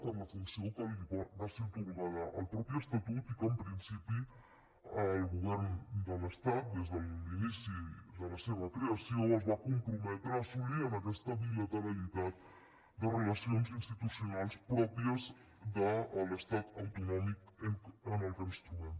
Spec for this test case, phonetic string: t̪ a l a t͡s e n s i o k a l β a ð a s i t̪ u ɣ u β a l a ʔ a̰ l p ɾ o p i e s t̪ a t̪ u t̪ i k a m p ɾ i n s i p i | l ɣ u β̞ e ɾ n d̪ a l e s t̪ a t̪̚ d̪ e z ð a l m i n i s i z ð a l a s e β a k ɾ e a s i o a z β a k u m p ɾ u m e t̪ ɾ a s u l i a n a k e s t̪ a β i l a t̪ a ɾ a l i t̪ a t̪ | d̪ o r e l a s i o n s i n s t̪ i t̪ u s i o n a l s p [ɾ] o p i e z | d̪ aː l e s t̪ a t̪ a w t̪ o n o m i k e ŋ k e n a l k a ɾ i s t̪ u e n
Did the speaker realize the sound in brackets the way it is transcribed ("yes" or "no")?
yes